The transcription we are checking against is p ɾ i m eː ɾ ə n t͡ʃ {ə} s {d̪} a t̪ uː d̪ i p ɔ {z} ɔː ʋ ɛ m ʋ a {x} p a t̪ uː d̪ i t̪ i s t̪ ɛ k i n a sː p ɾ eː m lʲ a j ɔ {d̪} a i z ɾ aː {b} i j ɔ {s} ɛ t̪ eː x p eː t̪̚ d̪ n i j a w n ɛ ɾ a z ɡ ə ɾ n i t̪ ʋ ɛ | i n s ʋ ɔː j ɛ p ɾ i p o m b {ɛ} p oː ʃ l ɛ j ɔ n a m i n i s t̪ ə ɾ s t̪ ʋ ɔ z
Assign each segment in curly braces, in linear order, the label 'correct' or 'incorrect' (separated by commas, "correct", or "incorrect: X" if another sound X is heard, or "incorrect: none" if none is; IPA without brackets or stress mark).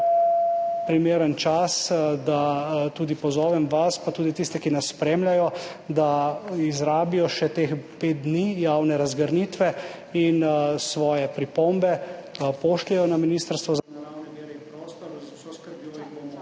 incorrect: a, correct, correct, incorrect: s, correct, correct, incorrect: ʃ, correct